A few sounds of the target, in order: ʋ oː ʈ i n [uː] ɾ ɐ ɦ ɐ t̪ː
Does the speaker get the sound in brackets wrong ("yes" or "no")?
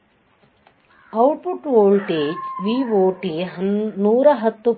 no